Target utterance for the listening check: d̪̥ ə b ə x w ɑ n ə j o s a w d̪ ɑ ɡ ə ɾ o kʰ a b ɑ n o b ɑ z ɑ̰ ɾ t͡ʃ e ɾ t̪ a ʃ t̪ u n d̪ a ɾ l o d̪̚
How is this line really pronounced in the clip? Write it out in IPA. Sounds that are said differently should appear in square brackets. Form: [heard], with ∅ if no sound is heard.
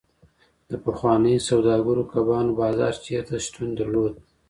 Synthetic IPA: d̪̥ ə [p] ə x w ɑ n ə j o s a w d̪ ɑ ɡ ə ɾ o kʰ a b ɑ n o b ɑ z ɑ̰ ɾ t͡ʃ e ɾ t̪ a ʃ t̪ u n d̪ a ɾ l o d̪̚